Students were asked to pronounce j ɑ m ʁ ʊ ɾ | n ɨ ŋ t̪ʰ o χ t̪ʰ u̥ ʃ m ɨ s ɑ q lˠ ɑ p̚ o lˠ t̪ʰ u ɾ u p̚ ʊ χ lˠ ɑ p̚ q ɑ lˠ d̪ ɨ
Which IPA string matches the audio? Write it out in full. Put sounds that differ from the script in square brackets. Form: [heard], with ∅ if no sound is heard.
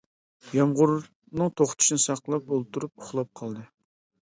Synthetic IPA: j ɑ m ʁ ʊ ɾ | n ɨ ŋ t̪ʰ o χ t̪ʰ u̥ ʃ [n] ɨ s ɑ q lˠ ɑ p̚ o lˠ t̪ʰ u ɾ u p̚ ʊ χ lˠ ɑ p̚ [qʰ] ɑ lˠ d̪ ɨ